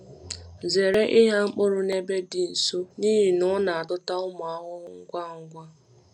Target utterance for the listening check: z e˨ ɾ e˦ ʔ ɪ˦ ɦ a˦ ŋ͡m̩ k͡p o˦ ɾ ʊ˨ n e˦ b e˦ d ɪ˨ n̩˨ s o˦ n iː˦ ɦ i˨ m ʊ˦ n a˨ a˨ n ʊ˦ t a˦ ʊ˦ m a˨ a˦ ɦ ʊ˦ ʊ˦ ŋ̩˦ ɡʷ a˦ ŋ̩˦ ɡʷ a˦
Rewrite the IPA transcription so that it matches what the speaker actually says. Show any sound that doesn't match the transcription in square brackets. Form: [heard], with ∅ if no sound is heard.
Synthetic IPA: z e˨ ɾ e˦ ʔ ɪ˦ ɦ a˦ ŋ͡m̩ k͡p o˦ ɾ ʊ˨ n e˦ b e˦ d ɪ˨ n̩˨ s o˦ n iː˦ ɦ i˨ [n] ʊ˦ n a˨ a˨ [d] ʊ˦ t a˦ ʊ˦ m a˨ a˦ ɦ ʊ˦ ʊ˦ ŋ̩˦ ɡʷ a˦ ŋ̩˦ ɡʷ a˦